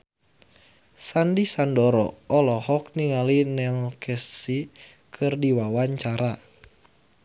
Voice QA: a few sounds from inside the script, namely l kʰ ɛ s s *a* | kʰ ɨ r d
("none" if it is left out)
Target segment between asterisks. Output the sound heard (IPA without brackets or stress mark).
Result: i